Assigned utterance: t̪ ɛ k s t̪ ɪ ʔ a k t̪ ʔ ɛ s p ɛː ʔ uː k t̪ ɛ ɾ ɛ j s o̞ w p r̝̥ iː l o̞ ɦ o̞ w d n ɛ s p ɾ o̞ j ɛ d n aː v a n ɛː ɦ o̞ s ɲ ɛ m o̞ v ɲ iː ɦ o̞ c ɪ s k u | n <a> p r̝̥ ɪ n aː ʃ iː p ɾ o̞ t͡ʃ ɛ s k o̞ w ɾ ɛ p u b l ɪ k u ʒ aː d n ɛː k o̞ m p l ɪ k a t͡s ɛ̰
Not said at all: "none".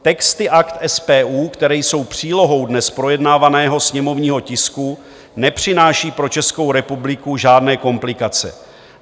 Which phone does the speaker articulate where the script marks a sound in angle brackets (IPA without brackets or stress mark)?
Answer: ɛ